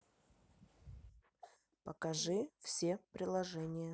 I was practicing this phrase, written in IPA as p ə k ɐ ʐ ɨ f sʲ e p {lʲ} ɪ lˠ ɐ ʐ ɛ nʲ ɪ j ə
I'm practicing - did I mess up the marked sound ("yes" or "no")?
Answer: yes